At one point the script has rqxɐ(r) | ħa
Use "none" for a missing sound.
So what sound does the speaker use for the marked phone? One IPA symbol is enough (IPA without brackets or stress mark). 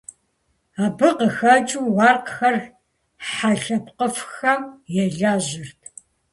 r